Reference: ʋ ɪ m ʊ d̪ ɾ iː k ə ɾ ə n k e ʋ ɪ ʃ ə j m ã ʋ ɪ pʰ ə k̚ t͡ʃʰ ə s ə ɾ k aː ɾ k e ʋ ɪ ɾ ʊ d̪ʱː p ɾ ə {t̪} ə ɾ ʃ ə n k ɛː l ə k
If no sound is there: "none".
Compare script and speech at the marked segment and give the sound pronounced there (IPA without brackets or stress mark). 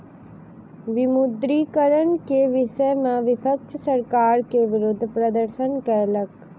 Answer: d̪